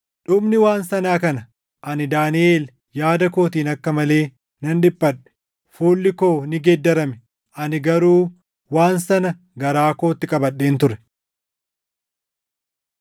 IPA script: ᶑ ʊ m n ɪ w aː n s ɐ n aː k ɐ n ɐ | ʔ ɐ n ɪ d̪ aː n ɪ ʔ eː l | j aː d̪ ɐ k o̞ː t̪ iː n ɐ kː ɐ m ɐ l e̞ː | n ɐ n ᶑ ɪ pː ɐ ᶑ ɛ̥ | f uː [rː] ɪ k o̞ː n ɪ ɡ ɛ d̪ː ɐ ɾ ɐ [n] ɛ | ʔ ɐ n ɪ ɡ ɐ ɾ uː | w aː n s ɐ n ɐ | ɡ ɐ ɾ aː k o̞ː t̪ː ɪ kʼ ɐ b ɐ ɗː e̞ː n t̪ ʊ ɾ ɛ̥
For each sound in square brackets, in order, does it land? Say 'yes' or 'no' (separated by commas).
no, no